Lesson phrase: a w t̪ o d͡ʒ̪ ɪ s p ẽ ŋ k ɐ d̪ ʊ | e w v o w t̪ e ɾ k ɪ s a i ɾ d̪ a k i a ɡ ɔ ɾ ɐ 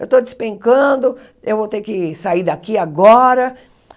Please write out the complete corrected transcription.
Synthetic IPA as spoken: e w t̪ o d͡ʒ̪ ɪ s p ẽ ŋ k ɐ̃ d̪ ʊ | e w v o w t̪ e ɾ k ɪ s a i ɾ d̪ a k i a ɡ ɔ ɾ ɐ